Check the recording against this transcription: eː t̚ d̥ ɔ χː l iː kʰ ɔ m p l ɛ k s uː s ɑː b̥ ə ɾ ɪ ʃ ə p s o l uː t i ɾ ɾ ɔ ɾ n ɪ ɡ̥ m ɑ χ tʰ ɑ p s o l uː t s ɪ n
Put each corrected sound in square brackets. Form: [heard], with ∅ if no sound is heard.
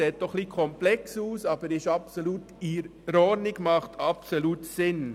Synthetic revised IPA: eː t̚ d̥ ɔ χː l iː kʰ ɔ m p l ɛ k s uː s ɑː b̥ ə ɾ ɪ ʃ [ɑ] p s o l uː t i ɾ ɾ ɔ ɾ n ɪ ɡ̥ m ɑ χ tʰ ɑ p s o l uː t s ɪ n